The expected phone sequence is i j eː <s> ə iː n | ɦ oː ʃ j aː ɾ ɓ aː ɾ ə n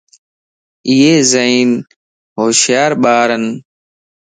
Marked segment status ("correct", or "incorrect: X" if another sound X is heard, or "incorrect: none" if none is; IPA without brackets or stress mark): incorrect: z